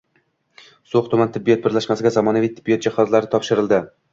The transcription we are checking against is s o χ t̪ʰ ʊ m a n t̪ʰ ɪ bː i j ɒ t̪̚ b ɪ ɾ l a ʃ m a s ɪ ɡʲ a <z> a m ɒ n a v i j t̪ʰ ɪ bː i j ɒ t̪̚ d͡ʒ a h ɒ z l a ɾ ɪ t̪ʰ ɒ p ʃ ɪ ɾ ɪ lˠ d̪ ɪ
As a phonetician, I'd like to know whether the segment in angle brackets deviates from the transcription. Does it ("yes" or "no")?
no